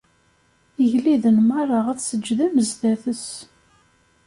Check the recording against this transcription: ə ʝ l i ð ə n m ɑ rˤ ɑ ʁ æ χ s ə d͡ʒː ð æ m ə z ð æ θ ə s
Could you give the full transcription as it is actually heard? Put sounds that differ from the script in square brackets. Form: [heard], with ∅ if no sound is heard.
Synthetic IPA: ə ʝ l i ð ə n m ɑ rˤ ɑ ʁ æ [θ] s ə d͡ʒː ð æ m ə z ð æ θ ə s